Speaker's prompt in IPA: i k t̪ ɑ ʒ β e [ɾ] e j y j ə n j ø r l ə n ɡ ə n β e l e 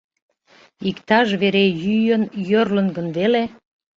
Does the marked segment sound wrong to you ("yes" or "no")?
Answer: no